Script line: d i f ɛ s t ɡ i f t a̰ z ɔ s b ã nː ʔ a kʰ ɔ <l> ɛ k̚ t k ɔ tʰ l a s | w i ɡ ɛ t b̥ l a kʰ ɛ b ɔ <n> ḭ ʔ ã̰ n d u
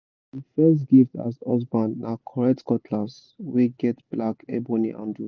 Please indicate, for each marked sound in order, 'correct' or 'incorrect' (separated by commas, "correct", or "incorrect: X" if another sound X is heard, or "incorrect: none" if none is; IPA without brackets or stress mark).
incorrect: ɹ, correct